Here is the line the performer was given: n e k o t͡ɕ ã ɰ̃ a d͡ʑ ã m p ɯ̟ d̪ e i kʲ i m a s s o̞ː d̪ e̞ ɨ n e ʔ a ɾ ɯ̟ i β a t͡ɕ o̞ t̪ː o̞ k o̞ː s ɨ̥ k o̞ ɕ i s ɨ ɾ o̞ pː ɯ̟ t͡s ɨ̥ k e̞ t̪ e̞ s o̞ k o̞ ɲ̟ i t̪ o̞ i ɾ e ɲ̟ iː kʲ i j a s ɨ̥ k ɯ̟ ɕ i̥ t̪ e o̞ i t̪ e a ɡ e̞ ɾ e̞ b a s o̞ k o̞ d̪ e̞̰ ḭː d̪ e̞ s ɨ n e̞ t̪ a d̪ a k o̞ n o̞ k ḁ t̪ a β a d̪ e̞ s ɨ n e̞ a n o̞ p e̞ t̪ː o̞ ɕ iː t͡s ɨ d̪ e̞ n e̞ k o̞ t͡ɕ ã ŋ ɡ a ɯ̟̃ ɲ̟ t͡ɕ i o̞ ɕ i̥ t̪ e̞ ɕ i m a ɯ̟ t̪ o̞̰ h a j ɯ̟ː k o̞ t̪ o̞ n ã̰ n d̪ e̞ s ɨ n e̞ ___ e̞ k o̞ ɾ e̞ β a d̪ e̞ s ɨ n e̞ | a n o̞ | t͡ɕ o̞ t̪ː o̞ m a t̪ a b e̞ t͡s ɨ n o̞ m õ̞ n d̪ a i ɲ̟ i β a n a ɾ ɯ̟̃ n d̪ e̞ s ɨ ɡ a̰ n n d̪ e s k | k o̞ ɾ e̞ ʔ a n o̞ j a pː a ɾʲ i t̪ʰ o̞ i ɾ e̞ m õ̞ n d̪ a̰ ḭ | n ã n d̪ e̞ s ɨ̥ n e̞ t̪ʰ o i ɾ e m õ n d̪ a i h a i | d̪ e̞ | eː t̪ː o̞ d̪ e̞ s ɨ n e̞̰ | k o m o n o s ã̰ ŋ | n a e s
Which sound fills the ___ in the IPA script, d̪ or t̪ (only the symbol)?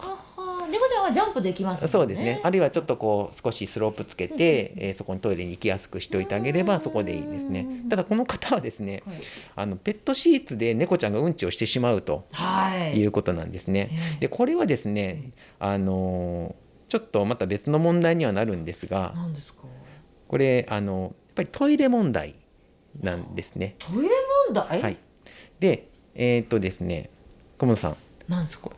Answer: d̪